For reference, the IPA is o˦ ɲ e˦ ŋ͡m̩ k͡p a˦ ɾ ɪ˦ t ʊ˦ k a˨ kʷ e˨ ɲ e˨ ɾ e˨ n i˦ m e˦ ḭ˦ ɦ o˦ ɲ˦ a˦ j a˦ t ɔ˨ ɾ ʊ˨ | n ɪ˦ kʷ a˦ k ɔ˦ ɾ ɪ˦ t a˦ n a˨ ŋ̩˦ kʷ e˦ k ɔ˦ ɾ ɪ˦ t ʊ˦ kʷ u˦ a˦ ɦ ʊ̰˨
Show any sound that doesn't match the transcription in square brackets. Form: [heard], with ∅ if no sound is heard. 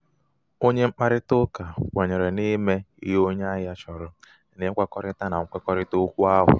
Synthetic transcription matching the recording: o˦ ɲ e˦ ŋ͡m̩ k͡p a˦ ɾ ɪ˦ t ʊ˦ k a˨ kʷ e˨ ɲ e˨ ɾ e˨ n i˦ m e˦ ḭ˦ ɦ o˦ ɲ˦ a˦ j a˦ [t͡ʃ] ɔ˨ ɾ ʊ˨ | n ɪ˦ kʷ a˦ k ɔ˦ ɾ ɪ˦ t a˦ n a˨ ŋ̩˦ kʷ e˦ k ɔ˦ ɾ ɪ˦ t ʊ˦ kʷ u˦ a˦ ɦ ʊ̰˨